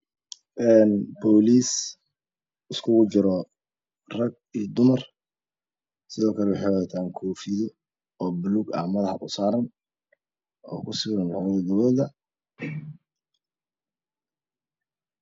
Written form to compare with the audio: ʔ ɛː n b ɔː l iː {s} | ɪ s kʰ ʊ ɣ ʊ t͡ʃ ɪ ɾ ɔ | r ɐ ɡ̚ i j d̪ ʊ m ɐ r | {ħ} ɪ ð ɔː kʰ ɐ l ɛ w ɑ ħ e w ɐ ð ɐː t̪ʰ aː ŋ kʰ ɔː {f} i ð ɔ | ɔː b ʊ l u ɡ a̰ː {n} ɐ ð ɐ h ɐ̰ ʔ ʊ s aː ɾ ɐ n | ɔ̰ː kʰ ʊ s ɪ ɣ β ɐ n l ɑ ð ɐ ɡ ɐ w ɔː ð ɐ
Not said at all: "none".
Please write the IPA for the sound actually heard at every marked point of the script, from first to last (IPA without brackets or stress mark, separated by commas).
s, s, f, m